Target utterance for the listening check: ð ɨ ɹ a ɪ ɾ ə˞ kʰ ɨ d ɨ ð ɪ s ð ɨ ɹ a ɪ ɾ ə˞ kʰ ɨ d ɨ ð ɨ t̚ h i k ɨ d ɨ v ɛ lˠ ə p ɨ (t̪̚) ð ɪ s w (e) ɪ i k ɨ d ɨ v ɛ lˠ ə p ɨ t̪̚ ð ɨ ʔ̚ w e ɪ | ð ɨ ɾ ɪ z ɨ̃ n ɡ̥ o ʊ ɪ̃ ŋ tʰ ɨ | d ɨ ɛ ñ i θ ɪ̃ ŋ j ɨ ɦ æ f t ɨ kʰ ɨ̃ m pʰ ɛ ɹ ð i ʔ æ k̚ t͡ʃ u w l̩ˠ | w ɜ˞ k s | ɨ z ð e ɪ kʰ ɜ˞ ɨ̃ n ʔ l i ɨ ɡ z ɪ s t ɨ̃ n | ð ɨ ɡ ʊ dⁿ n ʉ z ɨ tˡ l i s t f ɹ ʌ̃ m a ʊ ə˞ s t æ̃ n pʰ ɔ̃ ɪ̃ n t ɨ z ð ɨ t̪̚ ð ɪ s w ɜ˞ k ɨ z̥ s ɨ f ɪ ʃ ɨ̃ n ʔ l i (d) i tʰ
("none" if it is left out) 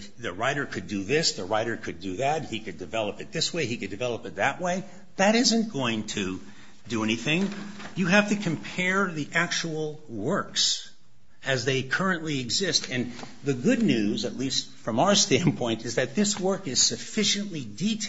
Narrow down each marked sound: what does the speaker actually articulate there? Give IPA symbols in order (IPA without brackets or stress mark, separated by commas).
t̪̚, e, d